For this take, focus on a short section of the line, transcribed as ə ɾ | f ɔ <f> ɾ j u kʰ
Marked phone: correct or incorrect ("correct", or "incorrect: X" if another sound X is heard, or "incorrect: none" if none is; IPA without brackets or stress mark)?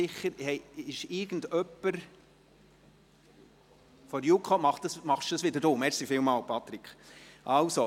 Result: incorrect: none